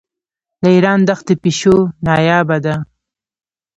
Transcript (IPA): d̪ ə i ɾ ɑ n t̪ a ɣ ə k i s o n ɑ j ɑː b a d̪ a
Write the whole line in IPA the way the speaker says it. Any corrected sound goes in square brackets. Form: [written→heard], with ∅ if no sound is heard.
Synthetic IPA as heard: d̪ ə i ɾ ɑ n [t̪→d̪] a [ɣ→x] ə [k→p] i [s→ʃ] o n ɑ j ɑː b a d̪ a

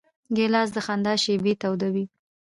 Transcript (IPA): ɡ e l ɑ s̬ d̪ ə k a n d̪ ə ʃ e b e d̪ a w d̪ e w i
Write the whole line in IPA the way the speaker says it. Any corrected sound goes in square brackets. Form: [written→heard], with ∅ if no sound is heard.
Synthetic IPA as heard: ɡ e l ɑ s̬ d̪ ə [k→x] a n d̪ [ə→ɑ] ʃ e b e [d̪→t̪] a w d̪ [e→a] w i

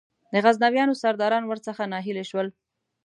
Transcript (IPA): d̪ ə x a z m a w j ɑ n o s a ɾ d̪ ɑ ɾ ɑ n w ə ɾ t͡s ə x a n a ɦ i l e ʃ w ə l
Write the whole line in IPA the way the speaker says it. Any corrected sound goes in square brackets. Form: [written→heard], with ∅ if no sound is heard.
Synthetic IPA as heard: d̪ ə [x→ɣ] a z [m→n] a w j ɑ n o s a ɾ d̪ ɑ ɾ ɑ n w ə ɾ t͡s ə x a n [a→ɑ] ɦ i l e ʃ w ə l

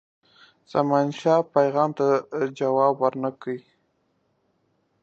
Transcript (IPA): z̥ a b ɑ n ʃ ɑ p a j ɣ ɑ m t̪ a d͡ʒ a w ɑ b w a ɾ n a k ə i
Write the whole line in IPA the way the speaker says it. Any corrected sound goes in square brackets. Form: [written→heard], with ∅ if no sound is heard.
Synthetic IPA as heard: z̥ a [b→m] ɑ n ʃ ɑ p a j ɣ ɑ m t̪ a d͡ʒ a w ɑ b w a ɾ n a k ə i

